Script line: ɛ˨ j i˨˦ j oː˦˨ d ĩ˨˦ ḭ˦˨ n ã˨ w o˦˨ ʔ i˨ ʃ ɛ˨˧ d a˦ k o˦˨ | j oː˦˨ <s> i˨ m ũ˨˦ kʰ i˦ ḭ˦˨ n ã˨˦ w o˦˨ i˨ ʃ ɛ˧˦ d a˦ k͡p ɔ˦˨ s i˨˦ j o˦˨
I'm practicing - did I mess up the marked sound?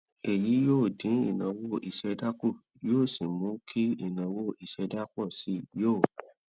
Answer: no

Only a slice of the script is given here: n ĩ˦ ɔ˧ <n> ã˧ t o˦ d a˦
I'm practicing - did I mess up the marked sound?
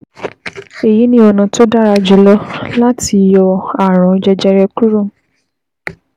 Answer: no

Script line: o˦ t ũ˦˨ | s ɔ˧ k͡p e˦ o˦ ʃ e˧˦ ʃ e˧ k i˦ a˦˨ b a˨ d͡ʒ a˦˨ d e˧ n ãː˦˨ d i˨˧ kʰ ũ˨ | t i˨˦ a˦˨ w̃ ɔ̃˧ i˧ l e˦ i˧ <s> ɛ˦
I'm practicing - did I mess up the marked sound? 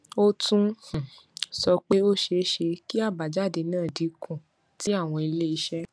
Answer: yes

